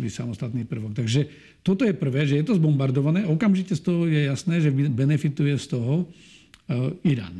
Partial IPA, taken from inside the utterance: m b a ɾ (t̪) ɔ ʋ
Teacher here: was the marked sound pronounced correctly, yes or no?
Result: no